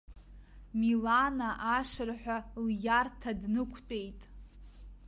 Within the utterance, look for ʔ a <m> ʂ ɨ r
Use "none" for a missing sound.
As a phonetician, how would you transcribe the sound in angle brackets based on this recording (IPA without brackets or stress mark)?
none